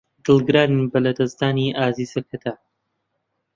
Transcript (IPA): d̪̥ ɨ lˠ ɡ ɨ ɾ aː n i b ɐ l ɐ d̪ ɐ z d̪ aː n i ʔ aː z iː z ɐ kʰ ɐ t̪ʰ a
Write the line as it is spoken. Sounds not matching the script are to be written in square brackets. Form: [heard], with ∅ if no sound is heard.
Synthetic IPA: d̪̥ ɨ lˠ ɡ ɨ ɾ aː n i b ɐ l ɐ d̪ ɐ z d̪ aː n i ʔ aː z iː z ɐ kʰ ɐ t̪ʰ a